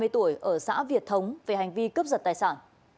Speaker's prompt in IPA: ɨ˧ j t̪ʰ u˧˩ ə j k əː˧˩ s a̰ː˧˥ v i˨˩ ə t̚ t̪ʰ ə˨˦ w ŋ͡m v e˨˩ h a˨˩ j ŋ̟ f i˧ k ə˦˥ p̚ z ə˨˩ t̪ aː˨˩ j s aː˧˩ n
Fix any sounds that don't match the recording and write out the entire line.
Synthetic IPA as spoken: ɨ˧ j t̪ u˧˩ ə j ʔ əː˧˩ s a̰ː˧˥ v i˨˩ ə t̚ t̪ʰ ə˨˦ w ŋ͡m v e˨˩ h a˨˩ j ŋ̟ v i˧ k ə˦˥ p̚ z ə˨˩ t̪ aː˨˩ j s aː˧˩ n